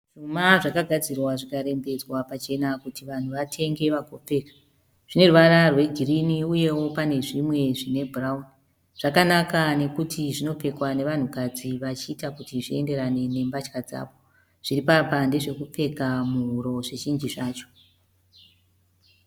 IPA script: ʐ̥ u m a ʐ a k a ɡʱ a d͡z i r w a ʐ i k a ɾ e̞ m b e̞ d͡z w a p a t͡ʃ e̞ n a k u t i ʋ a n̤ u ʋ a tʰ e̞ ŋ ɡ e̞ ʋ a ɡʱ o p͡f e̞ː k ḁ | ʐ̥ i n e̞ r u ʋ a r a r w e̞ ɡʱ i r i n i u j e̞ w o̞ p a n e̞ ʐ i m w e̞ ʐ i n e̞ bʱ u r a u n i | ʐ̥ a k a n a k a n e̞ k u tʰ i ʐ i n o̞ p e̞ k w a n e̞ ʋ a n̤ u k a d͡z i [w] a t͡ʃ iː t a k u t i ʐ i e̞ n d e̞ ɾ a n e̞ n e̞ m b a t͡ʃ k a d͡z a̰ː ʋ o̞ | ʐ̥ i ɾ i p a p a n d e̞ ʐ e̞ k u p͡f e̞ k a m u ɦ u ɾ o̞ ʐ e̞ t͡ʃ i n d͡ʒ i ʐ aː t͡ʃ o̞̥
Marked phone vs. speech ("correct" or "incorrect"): incorrect